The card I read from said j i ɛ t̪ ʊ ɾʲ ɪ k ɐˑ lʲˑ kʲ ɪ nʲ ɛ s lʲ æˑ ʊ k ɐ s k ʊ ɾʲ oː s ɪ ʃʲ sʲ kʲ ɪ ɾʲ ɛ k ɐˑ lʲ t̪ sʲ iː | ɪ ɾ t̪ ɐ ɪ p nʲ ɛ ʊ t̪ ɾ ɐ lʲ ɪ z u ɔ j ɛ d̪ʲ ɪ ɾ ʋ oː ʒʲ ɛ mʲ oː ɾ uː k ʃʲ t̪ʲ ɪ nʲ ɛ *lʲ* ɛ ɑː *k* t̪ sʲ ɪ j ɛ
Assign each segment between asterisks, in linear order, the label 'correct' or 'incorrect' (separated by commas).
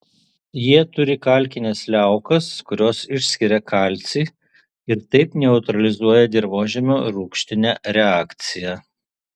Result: incorrect, correct